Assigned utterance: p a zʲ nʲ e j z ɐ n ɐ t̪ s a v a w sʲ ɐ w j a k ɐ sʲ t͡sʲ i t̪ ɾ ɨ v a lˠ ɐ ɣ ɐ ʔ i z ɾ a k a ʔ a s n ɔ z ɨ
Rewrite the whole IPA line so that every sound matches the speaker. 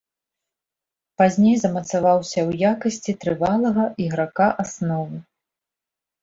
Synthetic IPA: p a zʲ nʲ e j z ɐ m ɐ t̪ s a v a w sʲ ɐ w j a k ɐ sʲ t͡sʲ i t̪ ɾ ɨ v a lˠ ɐ ɣ ɐ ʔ i ɣ ɾ a k a ʔ a s n ɔ v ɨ